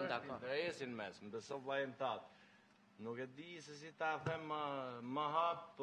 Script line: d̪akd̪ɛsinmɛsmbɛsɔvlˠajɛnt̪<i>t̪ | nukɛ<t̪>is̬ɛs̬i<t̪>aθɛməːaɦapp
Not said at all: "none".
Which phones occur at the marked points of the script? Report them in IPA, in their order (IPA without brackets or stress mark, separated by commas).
a, d̪, t̪